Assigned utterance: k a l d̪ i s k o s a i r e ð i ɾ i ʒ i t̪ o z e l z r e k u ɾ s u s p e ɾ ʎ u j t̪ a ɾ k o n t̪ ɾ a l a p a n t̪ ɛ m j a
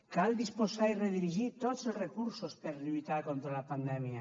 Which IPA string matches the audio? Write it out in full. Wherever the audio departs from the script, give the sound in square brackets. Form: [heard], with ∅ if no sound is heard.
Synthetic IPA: k a l d̪ i s [p] o s a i r e ð i ɾ i ʒ i t̪ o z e l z r e k u ɾ s [o] s p e ɾ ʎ u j t̪ a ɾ k o n t̪ ɾ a l a p a n [d̪] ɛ m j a